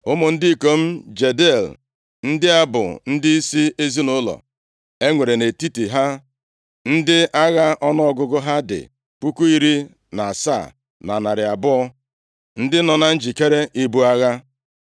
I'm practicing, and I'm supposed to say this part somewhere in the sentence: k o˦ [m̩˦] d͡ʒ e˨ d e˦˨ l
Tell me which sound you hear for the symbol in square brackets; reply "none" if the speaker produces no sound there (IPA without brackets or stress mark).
m̩˦